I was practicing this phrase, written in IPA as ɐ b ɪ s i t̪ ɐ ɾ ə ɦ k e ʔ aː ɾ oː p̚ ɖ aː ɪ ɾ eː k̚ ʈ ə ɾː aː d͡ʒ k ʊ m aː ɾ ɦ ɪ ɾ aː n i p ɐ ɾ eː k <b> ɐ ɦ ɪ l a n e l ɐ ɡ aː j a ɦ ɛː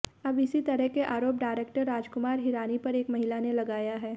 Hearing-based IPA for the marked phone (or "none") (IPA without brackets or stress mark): m